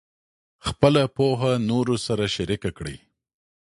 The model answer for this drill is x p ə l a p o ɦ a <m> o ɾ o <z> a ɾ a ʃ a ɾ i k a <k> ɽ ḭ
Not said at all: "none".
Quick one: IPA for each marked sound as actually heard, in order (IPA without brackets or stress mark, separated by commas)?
n, s, k